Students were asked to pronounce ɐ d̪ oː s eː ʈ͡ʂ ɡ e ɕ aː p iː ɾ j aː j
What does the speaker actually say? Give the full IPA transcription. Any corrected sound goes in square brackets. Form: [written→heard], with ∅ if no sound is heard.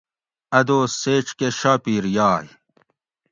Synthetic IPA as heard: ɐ d̪ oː s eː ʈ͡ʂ [ɡ→k] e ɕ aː p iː ɾ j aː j